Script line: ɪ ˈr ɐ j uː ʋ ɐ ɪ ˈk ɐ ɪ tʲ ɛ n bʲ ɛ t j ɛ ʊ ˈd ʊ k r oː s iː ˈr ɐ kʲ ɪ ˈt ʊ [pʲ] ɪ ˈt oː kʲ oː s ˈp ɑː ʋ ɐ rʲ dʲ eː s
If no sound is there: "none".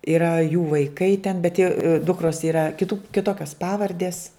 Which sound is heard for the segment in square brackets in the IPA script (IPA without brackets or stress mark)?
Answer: kʲ